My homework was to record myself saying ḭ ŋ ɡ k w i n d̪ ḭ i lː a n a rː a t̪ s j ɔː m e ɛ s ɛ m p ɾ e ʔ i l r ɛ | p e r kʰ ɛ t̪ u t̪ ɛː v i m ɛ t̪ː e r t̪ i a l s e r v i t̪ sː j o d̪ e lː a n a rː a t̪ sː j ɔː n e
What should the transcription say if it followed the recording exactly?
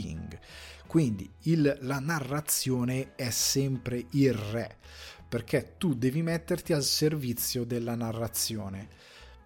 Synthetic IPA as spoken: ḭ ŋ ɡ k w i n d̪ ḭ i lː a n a rː a t̪ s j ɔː n e ɛ s ɛ m p ɾ e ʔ i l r ɛ | p e r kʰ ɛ t̪ u d̪ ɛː v i m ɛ t̪ː e r t̪ i a l s e r v i t̪ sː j o d̪ e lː a n a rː a t̪ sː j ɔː n e